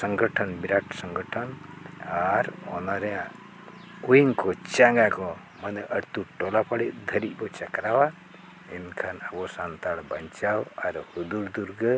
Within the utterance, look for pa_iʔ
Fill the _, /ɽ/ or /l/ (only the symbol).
ɽ